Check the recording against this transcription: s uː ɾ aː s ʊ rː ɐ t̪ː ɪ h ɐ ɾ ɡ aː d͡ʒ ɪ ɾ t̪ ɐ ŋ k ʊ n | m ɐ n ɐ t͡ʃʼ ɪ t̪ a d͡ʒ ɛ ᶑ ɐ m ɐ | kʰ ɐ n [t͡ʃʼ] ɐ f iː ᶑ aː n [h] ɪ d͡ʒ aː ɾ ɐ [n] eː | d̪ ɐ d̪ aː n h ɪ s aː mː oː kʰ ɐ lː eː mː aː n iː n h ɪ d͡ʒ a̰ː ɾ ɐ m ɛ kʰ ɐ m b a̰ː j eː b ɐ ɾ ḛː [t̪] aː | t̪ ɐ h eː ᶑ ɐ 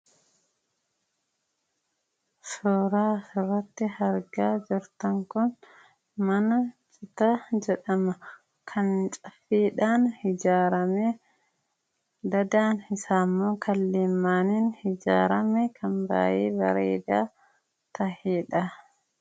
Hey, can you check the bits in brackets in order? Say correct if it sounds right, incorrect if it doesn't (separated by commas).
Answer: correct, correct, incorrect, incorrect